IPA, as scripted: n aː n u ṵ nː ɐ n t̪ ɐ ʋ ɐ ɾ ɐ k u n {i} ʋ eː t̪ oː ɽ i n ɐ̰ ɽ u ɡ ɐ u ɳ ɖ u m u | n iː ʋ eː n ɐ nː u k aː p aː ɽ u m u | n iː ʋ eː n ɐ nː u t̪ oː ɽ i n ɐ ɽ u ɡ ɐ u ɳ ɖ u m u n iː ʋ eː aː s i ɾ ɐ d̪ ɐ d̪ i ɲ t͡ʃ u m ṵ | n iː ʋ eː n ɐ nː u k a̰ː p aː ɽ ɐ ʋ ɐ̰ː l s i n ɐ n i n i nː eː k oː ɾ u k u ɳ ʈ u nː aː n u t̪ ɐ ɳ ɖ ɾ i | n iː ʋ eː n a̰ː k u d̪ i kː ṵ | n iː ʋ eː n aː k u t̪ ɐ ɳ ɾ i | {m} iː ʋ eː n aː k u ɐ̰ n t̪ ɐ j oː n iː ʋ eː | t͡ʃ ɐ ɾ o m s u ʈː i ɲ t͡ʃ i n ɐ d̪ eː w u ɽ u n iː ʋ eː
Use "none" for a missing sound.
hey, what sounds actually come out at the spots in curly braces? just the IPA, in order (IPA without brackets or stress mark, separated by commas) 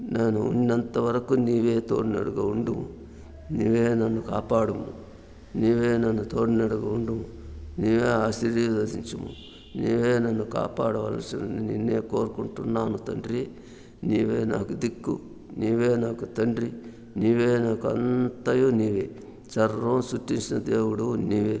iː, n